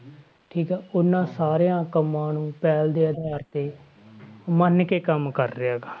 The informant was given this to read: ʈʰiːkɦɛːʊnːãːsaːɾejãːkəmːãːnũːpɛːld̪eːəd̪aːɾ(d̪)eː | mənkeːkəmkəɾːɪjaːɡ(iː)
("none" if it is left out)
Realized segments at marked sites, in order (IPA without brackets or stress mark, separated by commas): t̪, aː